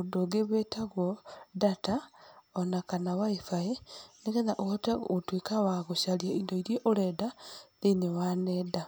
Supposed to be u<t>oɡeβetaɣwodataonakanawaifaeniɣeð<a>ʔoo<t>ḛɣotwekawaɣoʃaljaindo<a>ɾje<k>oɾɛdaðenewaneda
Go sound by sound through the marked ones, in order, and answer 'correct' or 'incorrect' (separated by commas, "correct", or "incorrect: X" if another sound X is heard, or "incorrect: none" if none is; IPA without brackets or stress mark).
incorrect: d, correct, correct, incorrect: i, incorrect: ʔ